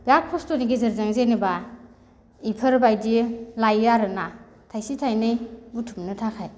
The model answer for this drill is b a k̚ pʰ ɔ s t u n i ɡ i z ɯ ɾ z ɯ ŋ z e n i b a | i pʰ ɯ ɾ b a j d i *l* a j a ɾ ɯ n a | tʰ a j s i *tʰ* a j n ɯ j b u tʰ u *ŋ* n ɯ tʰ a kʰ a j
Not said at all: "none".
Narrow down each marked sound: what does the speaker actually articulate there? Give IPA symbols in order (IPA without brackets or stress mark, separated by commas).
l, tʰ, m